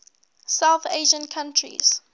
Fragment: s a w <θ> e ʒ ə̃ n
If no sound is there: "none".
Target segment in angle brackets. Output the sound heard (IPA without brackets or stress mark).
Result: θ